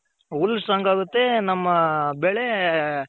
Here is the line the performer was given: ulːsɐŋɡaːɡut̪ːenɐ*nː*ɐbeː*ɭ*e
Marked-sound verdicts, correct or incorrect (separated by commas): incorrect, correct